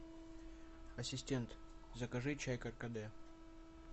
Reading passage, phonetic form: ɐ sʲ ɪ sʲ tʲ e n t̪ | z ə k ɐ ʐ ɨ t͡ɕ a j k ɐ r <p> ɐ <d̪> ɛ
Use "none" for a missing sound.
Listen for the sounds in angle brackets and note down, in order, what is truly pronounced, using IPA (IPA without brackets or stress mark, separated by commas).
k, d̪